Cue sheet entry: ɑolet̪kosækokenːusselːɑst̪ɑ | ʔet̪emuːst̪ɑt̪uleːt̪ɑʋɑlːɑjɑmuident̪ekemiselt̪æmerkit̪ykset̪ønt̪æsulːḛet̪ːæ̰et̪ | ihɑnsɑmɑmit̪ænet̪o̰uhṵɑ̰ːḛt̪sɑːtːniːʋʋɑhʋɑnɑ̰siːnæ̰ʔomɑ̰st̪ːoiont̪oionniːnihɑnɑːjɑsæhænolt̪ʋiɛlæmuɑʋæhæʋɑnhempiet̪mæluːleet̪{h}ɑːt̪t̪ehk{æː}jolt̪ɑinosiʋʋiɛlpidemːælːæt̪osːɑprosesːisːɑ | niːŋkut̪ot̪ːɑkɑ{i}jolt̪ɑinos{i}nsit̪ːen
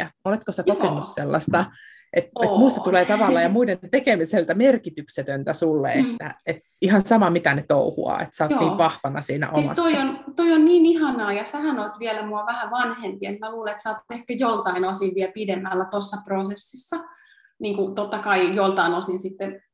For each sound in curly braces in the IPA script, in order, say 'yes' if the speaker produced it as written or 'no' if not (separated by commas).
no, no, yes, yes